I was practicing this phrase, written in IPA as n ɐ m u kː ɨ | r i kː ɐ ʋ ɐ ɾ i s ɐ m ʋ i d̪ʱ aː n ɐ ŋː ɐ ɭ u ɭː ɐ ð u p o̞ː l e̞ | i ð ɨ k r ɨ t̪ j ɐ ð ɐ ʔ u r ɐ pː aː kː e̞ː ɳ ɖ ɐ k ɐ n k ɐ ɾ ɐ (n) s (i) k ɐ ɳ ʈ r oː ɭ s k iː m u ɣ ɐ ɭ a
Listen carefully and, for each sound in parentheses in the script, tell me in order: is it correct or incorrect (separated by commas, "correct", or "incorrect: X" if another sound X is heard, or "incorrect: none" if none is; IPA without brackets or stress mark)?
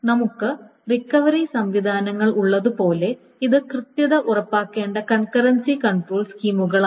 correct, correct